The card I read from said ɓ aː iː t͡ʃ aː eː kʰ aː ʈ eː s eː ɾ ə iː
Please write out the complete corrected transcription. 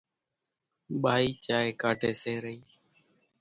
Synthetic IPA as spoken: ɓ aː iː t͡ʃ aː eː k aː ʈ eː s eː ɾ ə iː